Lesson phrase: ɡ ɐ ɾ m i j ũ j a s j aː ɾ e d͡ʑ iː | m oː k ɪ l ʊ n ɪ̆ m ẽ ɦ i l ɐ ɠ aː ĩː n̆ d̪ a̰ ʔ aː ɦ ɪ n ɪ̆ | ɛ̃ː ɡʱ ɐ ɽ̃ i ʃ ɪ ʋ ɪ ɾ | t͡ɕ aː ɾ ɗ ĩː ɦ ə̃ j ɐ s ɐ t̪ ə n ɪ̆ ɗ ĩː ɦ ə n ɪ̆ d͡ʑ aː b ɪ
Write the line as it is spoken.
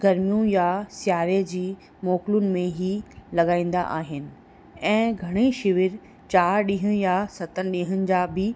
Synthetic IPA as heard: ɡ ɐ ɾ m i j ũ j a s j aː ɾ e d͡ʑ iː | m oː k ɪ l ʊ n ɪ̆ m ẽ ɦ i l ɐ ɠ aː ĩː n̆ d̪ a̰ ʔ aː ɦ ɪ n ɪ̆ | ɛ̃ː ɡʱ ɐ ɽ̃ i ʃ ɪ ʋ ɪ ɾ | t͡ɕ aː ɾ ɗ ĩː ɦ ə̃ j a s ɐ t̪ ə n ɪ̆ ɗ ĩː ɦ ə n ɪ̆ d͡ʑ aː b ɪ